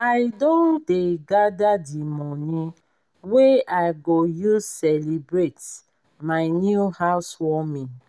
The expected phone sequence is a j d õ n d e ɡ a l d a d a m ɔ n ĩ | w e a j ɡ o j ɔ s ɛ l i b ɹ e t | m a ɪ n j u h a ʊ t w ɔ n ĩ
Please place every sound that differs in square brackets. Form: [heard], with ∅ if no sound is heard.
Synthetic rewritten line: a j d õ n d e ɡ a [∅] d a d [i] m ɔ n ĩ | w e a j ɡ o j [u] s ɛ l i b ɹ e t | m a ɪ n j u h a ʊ [s] w ɔ [m] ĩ

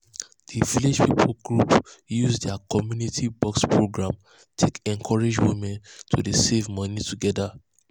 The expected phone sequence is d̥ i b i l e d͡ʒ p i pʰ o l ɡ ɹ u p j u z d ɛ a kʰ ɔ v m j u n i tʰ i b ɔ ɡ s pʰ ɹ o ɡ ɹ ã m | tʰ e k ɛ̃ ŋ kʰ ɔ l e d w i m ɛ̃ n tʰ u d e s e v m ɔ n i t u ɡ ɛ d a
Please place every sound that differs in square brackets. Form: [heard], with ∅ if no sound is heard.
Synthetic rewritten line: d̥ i [v] i l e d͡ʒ p i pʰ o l ɡ ɹ u p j u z d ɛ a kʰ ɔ [∅] m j u n i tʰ i b ɔ [k] s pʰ ɹ o ɡ ɹ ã m | tʰ e k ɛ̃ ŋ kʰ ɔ [ɹ] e [d͡ʒ] w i m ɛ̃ n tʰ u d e s e v m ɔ n i t u ɡ ɛ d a

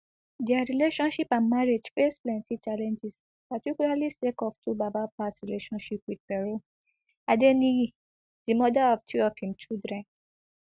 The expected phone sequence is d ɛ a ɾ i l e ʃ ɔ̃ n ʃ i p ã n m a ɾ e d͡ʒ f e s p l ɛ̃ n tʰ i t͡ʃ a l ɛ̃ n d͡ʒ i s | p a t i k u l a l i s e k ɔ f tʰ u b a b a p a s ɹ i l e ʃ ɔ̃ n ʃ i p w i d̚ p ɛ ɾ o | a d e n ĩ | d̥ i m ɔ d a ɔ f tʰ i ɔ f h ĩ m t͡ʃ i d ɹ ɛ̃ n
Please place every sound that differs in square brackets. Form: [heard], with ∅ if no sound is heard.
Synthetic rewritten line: d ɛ a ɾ i l e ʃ ɔ̃ n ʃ i p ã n m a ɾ e d͡ʒ f e s p l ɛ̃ n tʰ i t͡ʃ a l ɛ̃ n d͡ʒ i s | p a t i k u l a l i s e k ɔ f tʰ u b a b a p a s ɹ i l e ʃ ɔ̃ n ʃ i p w i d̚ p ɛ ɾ o | a d e n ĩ | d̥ i m ɔ d a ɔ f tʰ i ɔ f h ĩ m t͡ʃ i d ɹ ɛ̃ n

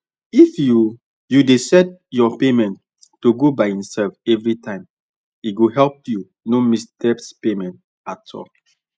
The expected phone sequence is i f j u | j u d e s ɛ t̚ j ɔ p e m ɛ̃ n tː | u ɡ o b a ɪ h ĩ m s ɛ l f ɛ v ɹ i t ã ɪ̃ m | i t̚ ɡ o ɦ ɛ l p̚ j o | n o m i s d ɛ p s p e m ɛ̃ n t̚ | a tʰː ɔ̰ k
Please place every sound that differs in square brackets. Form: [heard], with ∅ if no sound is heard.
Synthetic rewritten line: i f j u | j u d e s ɛ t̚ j ɔ p e m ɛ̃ n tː | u ɡ o b a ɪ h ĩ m s ɛ l f ɛ v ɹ i t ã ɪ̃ m | i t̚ ɡ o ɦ ɛ l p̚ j [u] | n o m i s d ɛ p s p e m ɛ̃ n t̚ | a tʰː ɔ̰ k

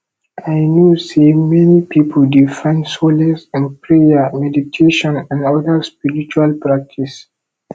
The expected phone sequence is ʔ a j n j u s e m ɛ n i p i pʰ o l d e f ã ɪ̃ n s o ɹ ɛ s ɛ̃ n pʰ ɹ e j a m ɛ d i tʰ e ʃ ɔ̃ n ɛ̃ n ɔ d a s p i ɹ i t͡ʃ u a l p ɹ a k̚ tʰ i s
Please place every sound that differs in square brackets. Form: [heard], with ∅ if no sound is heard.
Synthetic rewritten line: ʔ a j n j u s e m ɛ n i p i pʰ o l d [i] f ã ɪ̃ n s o [l] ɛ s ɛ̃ n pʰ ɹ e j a m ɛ d i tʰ e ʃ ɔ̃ n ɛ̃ n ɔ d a s p i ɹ i t͡ʃ u a l p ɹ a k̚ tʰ i s

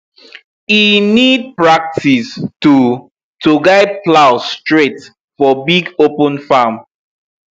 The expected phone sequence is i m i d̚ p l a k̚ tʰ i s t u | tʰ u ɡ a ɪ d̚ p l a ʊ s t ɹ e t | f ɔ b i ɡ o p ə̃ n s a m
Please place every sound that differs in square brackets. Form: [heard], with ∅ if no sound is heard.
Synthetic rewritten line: i [n] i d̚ p [ɹ] a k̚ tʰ i s t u | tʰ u ɡ a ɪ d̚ p l a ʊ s t ɹ e t | f ɔ b i ɡ o p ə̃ n [f] a m

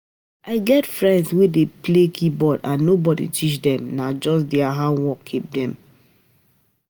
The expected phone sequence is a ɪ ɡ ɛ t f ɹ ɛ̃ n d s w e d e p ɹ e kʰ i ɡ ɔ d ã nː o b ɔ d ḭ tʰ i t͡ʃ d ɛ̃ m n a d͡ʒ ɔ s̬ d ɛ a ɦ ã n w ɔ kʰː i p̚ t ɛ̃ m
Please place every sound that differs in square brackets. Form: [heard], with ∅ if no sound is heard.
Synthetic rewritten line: a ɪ ɡ ɛ t f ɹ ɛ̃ n d s w e d e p [l] e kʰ i [b] ɔ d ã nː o b ɔ d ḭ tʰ i t͡ʃ d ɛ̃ m n a d͡ʒ ɔ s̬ d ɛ a ɦ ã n w ɔ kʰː i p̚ [d] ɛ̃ m

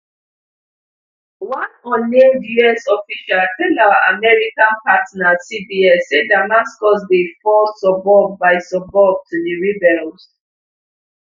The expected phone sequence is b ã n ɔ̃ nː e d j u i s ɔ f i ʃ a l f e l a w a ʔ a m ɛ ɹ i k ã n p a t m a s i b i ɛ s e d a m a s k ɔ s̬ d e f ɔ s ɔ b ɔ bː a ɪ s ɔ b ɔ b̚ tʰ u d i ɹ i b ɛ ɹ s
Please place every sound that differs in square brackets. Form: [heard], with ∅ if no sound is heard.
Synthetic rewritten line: [w] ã n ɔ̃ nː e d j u [ɛ] s ɔ f i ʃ a l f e l a w a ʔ a m ɛ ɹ i k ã n p a t [n] a s i b i ɛ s e d a m a s k ɔ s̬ d e f ɔ s ɔ b ɔ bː a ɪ s ɔ b ɔ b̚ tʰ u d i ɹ i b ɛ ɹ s

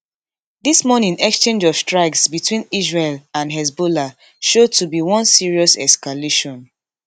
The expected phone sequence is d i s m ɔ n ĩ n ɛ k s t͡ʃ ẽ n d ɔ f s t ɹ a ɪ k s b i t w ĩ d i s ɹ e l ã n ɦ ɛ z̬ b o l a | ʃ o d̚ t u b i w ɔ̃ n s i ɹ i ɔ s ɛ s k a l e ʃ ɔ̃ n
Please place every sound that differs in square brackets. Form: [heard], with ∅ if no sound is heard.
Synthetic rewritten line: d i s m ɔ n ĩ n ɛ k s t͡ʃ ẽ n [d͡ʒ] ɔ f s t ɹ a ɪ k s b i t w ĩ [n] i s ɹ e l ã n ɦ ɛ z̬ b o l a | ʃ o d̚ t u b i w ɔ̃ n s i ɹ i ɔ s ɛ s k a l e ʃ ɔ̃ n

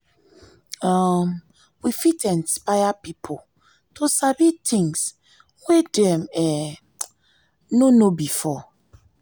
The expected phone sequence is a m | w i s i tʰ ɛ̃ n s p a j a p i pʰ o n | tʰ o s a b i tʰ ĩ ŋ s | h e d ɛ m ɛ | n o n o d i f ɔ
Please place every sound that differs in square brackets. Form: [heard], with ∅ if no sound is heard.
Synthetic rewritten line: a m | w i [f] i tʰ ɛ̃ n s p a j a p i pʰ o [∅] | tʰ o s a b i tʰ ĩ ŋ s | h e d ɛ m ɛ | n o n o [b] i f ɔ

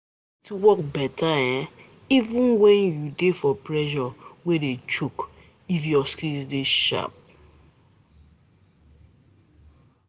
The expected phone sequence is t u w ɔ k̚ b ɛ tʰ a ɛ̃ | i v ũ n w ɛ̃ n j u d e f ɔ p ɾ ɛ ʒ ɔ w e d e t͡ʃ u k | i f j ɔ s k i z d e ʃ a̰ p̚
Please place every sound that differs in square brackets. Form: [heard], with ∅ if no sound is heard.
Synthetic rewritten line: t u w ɔ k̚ b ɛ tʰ a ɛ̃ | i v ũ n w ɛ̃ n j u d e f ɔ p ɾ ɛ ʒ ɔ w e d e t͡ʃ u k | i f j ɔ s k i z d e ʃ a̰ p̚

